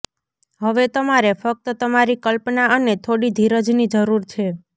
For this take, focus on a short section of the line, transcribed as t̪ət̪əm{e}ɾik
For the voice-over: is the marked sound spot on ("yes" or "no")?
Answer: no